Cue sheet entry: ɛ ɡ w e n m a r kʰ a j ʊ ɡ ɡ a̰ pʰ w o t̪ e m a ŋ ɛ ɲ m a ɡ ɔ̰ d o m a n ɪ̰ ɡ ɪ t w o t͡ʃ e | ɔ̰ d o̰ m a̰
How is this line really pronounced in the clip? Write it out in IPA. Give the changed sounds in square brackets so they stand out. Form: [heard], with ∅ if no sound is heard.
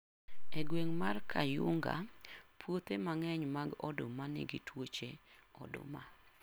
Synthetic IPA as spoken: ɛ ɡ w e [ŋ] m a r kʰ a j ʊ [ŋ] ɡ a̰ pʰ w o t̪ e m a ŋ ɛ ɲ m a ɡ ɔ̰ d o m a n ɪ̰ ɡ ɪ t w o t͡ʃ e | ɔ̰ d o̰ m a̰